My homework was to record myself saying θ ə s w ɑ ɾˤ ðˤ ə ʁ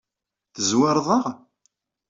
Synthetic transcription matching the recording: θ ə z w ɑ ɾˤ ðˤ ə ʁ